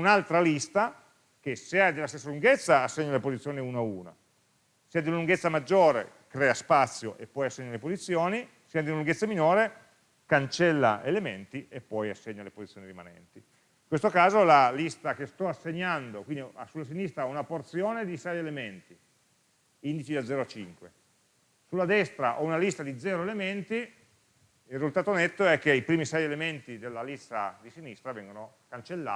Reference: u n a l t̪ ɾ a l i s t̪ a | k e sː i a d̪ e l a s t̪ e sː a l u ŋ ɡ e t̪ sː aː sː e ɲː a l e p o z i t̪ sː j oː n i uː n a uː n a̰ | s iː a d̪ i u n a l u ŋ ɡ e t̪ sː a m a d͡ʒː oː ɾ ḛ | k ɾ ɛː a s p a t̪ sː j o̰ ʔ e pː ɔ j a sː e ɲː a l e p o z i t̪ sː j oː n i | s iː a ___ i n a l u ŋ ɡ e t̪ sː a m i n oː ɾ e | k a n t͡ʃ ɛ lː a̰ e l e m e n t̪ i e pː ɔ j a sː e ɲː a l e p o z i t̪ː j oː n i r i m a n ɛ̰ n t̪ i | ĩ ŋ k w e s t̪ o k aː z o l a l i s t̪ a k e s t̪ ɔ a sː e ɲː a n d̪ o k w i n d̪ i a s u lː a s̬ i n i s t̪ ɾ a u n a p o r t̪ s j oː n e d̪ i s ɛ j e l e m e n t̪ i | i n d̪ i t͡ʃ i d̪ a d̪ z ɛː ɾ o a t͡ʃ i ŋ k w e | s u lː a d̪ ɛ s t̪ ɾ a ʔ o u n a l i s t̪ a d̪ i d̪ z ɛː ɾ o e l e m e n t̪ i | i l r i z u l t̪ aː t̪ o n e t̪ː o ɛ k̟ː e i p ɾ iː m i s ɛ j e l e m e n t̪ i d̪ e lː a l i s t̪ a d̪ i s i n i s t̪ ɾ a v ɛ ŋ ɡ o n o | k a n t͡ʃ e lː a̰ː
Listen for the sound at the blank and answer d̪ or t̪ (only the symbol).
d̪